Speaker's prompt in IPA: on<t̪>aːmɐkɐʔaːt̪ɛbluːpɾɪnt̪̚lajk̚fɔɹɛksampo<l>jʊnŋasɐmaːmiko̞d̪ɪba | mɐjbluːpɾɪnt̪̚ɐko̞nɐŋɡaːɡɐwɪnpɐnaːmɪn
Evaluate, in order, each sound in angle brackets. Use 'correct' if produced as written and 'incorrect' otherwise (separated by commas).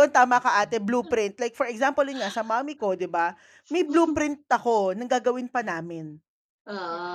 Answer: correct, correct